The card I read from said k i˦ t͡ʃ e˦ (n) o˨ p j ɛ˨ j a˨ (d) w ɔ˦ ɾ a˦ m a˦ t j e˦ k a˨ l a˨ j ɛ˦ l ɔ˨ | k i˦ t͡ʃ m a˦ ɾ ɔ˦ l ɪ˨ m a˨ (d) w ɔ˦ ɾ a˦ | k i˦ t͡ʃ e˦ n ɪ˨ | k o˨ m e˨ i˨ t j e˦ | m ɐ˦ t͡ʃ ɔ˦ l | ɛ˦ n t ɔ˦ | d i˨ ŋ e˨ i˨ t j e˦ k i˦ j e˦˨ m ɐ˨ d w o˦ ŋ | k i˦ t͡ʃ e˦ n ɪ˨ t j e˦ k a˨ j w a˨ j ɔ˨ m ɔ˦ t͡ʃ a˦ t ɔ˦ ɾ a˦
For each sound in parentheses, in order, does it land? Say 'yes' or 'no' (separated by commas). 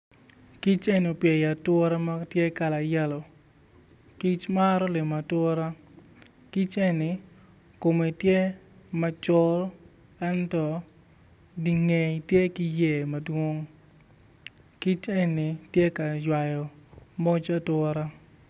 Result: yes, no, no